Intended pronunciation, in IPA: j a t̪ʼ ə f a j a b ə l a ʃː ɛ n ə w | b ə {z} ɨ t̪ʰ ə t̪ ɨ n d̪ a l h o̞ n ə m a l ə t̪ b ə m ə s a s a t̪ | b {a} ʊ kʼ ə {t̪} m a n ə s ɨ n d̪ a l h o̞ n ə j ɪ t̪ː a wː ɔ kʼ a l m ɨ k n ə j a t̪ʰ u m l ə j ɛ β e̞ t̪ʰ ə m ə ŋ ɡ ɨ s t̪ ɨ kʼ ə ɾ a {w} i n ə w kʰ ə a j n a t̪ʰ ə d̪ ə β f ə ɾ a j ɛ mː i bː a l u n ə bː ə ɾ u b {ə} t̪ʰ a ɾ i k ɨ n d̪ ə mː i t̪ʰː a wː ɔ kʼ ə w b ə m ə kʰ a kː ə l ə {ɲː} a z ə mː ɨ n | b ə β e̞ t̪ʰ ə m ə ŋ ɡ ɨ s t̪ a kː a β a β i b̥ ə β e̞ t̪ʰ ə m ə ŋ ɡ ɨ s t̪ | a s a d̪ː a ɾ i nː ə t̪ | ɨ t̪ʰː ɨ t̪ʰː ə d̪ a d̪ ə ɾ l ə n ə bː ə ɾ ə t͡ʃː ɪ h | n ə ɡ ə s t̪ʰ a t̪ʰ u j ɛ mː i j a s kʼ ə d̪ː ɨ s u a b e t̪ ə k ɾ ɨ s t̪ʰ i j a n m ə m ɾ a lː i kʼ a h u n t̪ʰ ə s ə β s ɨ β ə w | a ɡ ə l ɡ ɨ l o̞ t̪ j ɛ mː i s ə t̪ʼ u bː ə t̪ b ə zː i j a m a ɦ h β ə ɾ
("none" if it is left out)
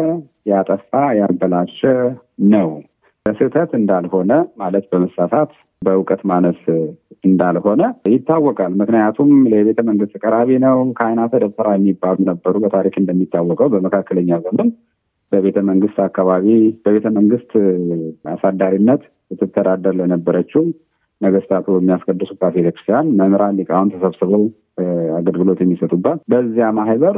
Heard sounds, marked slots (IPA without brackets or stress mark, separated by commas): s, ə, t̪, β, ə, ɲː